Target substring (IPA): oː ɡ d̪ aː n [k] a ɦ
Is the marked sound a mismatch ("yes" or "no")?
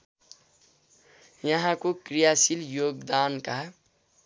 no